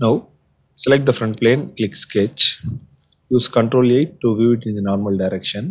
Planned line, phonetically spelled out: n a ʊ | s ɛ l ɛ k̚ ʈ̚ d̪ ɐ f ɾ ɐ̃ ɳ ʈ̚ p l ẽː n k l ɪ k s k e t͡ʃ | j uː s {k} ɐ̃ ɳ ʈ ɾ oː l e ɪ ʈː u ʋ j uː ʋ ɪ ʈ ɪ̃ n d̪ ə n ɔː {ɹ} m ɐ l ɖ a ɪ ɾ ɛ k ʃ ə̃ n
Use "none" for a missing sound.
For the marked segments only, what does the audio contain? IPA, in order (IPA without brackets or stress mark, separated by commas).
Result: k, ɾ